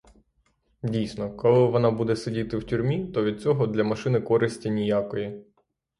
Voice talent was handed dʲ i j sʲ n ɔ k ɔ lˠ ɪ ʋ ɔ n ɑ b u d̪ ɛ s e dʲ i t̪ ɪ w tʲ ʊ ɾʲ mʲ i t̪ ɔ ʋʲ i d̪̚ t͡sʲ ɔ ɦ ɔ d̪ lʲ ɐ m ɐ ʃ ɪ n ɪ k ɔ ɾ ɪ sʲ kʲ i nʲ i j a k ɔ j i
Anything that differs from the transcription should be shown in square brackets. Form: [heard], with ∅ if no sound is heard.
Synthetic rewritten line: dʲ i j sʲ n ɔ k ɔ lˠ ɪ ʋ ɔ n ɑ b u d̪ ɛ s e dʲ i t̪ ɪ w tʲ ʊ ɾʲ mʲ i t̪ ɔ ʋʲ i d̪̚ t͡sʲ ɔ ɦ ɔ d̪ lʲ ɐ m ɐ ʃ ɪ n ɪ k ɔ ɾ ɪ sʲ [tʲ] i nʲ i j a k ɔ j i